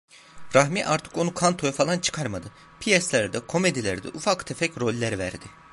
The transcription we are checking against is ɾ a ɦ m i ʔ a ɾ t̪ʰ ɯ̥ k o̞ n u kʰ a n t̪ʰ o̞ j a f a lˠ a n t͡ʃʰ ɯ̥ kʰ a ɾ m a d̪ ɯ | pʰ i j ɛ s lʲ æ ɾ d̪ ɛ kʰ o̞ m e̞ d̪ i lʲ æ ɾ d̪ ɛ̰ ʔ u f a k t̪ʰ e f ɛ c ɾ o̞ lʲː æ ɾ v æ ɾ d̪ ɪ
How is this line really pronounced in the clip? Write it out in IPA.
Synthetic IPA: ɾ a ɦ m i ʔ a ɾ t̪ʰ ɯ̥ k o̞ n u kʰ a n t̪ʰ o̞ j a f a lˠ a n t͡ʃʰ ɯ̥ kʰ a ɾ m a d̪ ɯ | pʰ i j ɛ s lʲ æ ɾ d̪ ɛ kʰ o̞ m e̞ d̪ i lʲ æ ɾ d̪ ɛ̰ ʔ u f a k t̪ʰ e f ɛ c ɾ o̞ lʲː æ ɾ v æ ɾ d̪ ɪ